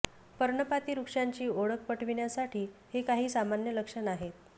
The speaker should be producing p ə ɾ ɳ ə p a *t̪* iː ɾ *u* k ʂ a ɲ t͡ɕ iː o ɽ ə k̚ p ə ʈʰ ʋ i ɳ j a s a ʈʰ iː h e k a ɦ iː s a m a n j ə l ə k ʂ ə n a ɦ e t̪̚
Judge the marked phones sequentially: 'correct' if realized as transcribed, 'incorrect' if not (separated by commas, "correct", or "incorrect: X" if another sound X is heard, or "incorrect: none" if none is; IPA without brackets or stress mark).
correct, correct